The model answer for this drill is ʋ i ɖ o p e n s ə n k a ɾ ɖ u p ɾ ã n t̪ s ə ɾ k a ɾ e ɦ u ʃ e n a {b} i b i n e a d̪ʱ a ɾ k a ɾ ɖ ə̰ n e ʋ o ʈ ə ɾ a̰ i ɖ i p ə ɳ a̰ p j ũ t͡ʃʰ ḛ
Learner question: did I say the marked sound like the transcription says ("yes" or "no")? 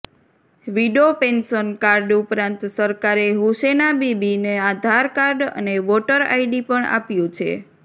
yes